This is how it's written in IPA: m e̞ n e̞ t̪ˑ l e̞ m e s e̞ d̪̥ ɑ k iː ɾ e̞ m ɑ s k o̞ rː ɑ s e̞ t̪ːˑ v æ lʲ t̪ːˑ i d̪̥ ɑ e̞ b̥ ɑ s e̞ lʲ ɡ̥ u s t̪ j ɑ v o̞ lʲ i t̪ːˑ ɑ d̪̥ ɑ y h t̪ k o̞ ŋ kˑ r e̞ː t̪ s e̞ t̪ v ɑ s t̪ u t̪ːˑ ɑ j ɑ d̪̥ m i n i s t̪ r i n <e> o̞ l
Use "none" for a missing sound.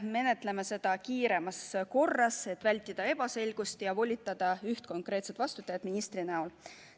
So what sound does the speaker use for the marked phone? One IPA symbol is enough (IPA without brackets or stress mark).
æ